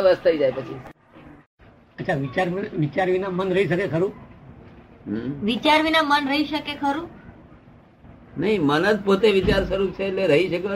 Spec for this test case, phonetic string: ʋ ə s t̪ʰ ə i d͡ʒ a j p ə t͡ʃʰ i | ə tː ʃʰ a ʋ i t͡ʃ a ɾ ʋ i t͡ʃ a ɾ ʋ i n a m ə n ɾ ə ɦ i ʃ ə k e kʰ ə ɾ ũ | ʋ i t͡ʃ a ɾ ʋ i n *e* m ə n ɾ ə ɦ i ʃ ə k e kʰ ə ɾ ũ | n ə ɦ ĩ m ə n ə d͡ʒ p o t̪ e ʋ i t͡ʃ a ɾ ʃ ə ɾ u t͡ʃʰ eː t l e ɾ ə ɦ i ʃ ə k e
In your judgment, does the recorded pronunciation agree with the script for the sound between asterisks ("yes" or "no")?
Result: no